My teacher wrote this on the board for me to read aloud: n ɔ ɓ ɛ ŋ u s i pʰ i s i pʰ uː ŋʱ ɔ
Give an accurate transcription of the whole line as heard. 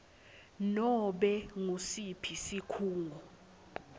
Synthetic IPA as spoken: n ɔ ɓ ɛ ŋ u s i pʰ i s i kʰ uː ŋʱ ɔ